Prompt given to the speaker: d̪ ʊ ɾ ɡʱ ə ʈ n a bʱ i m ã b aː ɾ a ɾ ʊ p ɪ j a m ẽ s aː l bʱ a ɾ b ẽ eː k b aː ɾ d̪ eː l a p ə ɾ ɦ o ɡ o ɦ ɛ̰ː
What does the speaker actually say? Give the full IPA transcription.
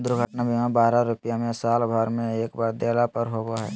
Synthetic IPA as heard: d̪ ʊ ɾ ɡʱ ə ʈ n a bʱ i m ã b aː ɾ a ɾ ʊ p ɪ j a m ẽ s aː l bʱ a ɾ m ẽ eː k b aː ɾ d̪ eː l a p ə ɾ ɦ o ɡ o ɦ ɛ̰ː